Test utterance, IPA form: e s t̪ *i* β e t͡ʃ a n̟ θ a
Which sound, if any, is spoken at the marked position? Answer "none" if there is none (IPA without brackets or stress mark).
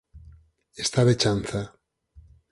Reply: a